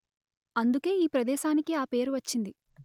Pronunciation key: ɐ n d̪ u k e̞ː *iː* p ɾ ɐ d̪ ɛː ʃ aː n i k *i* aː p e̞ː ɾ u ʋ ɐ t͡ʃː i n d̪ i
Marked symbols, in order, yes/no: yes, yes

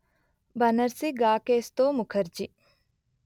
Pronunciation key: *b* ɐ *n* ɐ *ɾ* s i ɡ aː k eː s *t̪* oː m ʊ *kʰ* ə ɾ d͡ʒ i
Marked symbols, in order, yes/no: yes, yes, yes, yes, yes

